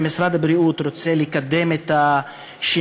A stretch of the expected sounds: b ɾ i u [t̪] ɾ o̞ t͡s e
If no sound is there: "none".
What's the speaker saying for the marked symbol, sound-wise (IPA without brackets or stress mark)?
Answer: t̪